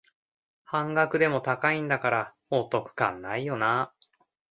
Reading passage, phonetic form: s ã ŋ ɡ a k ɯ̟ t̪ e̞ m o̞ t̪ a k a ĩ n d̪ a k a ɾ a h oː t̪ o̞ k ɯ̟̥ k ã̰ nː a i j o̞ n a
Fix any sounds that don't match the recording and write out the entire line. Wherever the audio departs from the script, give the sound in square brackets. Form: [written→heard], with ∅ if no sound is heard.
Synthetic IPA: [s→h] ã ŋ ɡ a k ɯ̟ [t̪→d̪] e̞ m o̞ t̪ a k a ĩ n d̪ a k a ɾ a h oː t̪ o̞ k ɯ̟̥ k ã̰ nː a i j o̞ n a